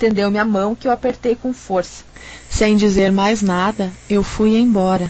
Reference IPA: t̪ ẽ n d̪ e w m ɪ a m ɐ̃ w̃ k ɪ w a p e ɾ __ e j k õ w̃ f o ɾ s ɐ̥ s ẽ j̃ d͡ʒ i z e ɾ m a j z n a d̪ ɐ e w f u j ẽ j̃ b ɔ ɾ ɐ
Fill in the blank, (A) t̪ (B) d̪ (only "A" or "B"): A